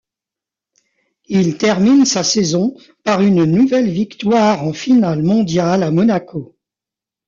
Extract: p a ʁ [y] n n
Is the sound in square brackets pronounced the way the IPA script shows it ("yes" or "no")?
yes